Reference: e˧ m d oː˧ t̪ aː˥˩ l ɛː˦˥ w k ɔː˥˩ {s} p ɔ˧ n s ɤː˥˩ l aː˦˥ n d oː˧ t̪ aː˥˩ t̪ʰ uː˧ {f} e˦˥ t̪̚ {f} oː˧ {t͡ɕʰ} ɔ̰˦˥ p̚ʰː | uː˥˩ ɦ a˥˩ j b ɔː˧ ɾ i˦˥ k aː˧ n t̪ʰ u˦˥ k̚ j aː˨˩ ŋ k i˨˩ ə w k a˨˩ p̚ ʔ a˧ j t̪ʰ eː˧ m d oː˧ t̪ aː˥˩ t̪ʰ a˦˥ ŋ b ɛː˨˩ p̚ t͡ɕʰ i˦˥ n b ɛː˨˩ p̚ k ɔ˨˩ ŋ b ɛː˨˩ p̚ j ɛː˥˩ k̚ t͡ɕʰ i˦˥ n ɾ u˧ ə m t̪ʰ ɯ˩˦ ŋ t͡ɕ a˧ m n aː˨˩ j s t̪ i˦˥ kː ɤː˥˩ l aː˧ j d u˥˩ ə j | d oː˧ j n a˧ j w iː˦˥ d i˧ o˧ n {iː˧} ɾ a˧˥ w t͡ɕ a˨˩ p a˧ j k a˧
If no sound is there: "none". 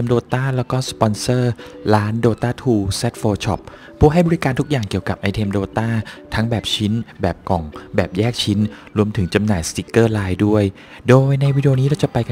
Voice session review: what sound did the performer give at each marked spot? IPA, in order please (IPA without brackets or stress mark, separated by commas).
s, s, f, t͡ɕʰ, iː˦˥